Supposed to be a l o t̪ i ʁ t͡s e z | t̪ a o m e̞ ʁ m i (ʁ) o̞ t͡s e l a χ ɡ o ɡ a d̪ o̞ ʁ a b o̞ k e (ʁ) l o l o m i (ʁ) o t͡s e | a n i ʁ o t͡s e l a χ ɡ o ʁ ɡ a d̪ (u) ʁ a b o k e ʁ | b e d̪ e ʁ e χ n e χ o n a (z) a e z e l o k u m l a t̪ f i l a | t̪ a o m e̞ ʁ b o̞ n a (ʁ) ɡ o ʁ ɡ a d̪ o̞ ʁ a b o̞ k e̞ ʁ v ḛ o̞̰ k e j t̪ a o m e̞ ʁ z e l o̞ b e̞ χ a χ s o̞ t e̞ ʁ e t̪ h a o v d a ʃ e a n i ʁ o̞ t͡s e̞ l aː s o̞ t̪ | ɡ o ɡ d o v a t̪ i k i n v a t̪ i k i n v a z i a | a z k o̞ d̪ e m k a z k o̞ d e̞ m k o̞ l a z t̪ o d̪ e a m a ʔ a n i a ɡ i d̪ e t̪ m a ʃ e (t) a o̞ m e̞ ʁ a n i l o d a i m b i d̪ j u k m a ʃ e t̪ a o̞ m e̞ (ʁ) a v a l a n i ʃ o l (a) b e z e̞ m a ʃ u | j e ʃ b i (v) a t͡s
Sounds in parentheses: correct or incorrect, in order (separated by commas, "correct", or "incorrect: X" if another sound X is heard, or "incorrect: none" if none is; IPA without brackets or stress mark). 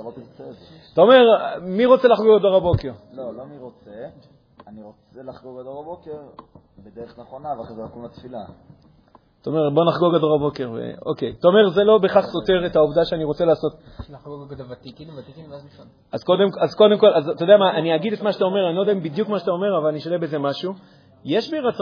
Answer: correct, correct, correct, incorrect: o, incorrect: v, incorrect: χ, correct, correct, incorrect: e, incorrect: ʁ